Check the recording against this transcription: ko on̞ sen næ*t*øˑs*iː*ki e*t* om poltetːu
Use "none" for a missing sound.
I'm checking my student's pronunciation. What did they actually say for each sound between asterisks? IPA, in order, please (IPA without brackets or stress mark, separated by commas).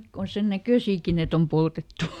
k, iː, t